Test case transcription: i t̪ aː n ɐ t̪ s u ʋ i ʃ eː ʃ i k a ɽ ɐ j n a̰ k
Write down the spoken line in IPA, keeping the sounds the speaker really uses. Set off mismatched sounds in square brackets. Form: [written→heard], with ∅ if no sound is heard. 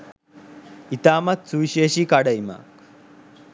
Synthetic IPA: i t̪ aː [n→m] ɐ t̪ s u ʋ i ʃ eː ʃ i k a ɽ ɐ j [n→m] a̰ k